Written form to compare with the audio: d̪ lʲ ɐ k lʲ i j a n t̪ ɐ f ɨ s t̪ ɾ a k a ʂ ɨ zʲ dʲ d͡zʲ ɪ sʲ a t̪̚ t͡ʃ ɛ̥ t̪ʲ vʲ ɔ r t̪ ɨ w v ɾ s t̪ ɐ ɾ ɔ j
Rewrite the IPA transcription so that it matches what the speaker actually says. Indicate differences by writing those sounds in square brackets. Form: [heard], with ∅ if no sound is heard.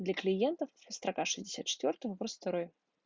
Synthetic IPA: d̪ lʲ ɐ k lʲ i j [ɛ] n t̪ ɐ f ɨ s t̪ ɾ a k a ʂ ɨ zʲ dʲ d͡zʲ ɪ sʲ a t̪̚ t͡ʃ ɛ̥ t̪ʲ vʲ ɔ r t̪ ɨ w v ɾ s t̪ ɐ ɾ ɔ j